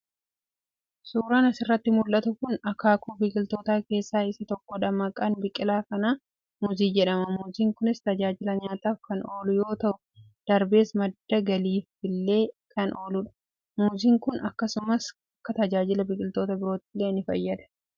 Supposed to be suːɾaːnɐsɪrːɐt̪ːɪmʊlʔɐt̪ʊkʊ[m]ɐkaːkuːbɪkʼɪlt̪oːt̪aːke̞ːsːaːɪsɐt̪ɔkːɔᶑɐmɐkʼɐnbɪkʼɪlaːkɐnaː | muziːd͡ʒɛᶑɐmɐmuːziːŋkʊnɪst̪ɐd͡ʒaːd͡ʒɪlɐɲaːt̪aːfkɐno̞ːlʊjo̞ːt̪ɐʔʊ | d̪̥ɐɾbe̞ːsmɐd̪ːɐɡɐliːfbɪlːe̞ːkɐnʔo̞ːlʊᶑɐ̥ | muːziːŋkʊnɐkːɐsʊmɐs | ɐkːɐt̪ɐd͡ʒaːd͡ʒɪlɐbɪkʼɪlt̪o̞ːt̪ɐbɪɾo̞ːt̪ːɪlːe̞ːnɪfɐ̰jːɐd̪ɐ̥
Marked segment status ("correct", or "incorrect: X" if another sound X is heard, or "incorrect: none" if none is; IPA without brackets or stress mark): incorrect: n